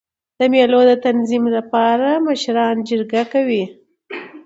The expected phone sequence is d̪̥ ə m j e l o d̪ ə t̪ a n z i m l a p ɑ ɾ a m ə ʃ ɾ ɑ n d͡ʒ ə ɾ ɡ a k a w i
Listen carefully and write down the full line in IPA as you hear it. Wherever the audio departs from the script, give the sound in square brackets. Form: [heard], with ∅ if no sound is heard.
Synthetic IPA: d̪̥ ə m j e l o d̪ ə t̪ a n z i m l a p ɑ ɾ a m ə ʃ ɾ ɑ n d͡ʒ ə ɾ ɡ a k a w i